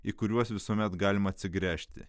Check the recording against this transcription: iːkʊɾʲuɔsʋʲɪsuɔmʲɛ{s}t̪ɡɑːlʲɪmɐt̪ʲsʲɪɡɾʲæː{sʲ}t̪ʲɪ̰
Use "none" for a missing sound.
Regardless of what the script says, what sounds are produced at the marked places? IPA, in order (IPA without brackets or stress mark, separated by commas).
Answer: none, ʃʲ